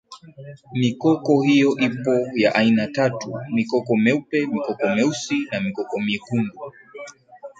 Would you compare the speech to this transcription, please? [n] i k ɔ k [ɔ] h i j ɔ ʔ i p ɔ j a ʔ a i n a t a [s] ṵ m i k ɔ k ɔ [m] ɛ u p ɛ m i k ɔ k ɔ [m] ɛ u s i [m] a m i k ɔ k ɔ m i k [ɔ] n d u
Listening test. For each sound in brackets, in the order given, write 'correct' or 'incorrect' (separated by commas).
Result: incorrect, correct, incorrect, correct, correct, incorrect, incorrect